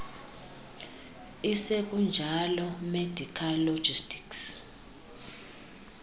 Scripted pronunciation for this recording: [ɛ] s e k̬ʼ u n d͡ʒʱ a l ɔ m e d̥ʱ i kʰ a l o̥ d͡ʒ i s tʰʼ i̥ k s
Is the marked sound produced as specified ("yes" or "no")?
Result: no